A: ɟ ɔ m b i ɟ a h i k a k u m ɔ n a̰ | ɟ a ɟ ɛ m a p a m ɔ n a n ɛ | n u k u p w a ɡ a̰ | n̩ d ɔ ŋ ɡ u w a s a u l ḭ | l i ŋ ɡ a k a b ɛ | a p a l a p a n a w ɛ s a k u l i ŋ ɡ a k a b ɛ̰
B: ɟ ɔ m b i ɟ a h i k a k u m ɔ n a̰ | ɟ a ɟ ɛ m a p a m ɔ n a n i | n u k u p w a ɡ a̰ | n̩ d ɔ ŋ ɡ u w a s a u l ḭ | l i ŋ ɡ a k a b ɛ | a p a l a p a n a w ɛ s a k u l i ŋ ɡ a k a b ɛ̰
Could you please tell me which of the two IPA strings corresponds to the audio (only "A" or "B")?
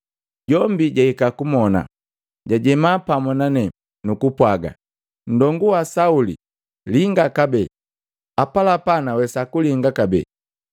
A